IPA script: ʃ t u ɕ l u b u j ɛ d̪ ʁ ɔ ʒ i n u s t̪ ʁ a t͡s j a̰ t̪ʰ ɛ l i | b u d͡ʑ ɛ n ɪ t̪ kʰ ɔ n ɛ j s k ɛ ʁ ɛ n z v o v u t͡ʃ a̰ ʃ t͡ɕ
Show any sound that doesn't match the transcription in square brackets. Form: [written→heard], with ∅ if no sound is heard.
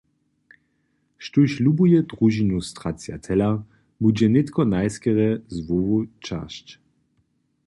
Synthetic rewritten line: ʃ t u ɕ l u b u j ɛ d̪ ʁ [ɔ→u] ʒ i n u s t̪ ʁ a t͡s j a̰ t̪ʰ ɛ l [i→a] | b u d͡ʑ ɛ n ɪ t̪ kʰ ɔ n [ɛ→a] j s k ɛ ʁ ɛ [n→∅] z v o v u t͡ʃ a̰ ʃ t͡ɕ